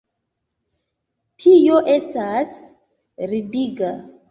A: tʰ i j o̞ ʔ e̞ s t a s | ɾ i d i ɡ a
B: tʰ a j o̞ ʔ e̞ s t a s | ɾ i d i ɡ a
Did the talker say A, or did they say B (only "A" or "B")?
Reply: A